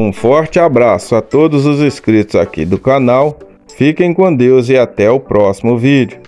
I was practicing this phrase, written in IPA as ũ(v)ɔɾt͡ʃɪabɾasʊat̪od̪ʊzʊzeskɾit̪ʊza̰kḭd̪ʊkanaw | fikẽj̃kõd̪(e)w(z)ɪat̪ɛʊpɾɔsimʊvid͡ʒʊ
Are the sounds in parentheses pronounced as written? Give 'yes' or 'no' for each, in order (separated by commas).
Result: no, yes, yes